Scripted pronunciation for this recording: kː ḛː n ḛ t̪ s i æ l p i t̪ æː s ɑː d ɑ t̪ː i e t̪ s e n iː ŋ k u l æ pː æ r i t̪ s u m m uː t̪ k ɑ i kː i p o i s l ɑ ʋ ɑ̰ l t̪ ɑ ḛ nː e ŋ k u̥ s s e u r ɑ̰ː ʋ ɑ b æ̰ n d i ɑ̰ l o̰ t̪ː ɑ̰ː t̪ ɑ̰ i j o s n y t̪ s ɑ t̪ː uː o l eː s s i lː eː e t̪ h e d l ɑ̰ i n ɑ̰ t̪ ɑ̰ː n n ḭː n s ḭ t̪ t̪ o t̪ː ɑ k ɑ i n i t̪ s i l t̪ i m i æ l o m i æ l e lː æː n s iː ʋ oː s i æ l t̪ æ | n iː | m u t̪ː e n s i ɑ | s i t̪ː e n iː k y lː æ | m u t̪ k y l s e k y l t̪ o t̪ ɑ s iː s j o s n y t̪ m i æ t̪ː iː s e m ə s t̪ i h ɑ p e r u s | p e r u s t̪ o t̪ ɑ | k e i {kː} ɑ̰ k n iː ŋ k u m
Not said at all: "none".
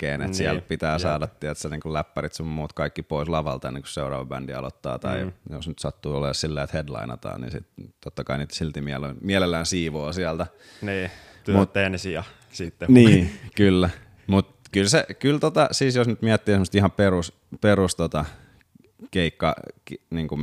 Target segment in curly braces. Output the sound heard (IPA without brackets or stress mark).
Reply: kː